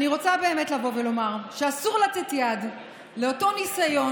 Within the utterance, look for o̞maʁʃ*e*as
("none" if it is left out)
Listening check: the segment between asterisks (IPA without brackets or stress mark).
e